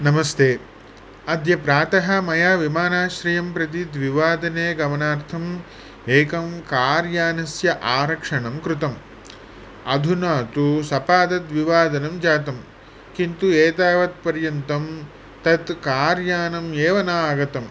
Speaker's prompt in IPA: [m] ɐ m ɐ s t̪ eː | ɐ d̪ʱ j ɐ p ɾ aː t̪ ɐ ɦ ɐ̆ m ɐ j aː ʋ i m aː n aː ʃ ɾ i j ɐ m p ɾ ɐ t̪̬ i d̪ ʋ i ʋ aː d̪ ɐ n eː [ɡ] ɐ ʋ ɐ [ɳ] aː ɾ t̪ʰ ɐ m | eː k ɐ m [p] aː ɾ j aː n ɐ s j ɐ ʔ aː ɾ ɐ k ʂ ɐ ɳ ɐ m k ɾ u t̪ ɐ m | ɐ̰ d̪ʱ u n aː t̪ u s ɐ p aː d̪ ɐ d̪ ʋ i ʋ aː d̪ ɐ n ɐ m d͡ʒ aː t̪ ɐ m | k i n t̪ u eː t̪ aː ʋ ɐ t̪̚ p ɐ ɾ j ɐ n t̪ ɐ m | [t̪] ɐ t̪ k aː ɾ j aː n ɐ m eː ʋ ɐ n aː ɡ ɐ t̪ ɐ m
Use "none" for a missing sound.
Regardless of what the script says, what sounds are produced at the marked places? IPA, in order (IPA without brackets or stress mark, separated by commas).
n, ɡ, n, k, t̪